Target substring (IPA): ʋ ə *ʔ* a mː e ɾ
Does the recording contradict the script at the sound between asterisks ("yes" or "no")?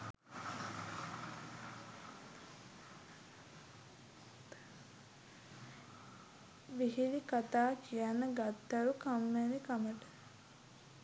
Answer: yes